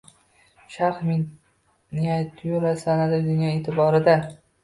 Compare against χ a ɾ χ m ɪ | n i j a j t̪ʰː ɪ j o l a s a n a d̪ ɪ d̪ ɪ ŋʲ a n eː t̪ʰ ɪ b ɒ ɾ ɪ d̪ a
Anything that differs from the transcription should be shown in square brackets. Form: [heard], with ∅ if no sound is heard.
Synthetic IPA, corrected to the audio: [ʃ] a ɾ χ m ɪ | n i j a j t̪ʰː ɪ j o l a s a n a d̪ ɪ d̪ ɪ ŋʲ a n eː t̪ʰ ɪ b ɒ ɾ ɪ d̪ a